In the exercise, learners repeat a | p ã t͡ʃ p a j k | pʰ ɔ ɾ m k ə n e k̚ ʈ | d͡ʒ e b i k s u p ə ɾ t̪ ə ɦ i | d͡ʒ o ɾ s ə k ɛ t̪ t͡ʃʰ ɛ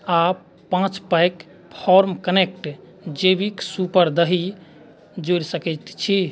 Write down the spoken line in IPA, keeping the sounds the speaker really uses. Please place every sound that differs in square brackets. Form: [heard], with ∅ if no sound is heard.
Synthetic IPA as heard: a | p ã t͡ʃ p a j k | pʰ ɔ ɾ m k ə n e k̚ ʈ | d͡ʒ e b i k s u p ə ɾ [d̪] ə ɦ i | d͡ʒ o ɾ s ə k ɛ t̪ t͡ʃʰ [i]